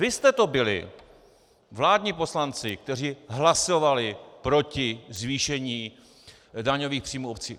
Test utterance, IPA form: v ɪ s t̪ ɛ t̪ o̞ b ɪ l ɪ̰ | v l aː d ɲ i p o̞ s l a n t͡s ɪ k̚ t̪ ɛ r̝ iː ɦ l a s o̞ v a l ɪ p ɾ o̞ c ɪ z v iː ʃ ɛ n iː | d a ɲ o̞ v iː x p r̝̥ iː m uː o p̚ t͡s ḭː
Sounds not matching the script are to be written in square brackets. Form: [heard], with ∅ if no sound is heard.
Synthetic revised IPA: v ɪ s t̪ ɛ t̪ o̞ b ɪ l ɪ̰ | v l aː d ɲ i p o̞ s l a n t͡s ɪ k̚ t̪ ɛ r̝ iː ɦ l a s o̞ v a l ɪ p ɾ o̞ c ɪ z v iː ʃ ɛ [ɲ] iː | d a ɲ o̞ v iː x p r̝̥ iː m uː o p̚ t͡s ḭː

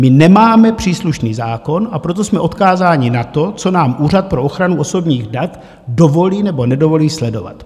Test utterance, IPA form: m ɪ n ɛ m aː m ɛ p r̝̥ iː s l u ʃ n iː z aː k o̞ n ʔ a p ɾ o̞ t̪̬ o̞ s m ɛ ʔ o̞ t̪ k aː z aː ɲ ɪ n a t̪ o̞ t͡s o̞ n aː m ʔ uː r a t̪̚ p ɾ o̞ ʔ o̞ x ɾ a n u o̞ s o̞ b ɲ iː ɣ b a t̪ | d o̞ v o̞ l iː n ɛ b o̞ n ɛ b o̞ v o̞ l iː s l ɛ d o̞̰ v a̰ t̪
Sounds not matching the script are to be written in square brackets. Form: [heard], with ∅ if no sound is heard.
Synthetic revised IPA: m ɪ n ɛ m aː m ɛ p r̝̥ iː s l u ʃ n iː z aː k o̞ n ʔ a p ɾ o̞ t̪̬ o̞ s m ɛ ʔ o̞ t̪ k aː z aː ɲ ɪ n a t̪ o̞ t͡s o̞ n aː m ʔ uː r a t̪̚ p ɾ o̞ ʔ o̞ x ɾ a n u o̞ s o̞ b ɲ iː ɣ [d] a t̪ | d o̞ v o̞ l iː n ɛ b o̞ n ɛ [d] o̞ v o̞ l iː s l ɛ d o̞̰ v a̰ t̪

